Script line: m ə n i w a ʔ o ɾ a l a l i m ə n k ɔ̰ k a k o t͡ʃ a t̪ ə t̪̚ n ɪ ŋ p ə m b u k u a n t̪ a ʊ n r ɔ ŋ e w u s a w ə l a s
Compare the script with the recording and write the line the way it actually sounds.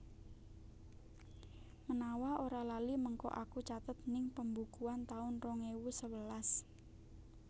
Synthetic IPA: m ə n a w a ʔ o ɾ a l a l i m ə ŋ k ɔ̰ ʔ a k u t͡ʃ a t̪ ə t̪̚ n ɪ ŋ p ə m b u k u a n t̪ a ʊ n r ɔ ŋ e w u s ə w ə l a s